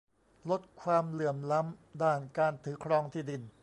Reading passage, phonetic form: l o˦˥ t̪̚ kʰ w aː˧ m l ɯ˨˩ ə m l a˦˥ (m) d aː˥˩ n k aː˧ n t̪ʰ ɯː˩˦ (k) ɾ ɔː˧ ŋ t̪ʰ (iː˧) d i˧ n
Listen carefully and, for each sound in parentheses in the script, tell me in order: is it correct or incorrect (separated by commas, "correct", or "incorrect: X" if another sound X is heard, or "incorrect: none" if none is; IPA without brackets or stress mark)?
correct, incorrect: kʰ, incorrect: iː˥˩